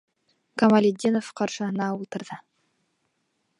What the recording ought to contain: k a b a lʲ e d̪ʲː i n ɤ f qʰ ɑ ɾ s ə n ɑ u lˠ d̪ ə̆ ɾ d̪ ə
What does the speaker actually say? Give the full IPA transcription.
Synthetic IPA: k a m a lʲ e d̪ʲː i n o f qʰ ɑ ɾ ʃ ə n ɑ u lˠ t̪ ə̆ ɾ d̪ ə